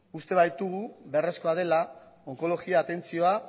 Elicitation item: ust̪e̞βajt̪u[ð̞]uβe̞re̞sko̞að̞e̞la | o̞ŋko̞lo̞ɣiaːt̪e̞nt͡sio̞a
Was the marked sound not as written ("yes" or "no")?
yes